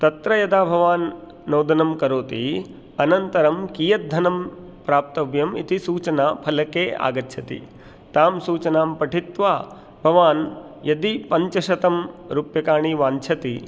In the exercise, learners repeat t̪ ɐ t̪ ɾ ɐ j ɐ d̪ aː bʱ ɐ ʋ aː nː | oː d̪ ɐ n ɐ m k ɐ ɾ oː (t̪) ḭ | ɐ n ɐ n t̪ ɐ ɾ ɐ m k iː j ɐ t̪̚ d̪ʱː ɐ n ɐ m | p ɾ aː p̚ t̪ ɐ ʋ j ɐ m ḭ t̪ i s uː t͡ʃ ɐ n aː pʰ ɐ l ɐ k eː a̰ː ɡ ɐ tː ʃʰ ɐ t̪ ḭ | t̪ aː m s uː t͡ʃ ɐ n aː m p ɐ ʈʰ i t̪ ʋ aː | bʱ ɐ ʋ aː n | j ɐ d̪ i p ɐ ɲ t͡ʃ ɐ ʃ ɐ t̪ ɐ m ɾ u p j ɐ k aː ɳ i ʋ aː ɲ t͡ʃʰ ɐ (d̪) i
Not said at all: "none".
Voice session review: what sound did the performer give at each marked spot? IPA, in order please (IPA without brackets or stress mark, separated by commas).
t̪, t̪